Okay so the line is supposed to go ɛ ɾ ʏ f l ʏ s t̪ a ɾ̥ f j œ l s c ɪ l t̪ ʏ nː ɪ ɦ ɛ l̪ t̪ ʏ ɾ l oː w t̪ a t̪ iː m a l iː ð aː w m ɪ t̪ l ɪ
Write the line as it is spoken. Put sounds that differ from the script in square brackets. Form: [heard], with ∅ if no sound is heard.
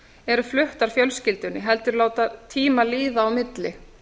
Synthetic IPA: ɛ ɾ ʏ f l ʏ [h] t̪ a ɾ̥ f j œ l s c ɪ l t̪ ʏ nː ɪ ɦ ɛ l̪ t̪ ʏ ɾ l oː w t̪ a [t̪ʰ] iː m a l iː ð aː w m ɪ t̪ l ɪ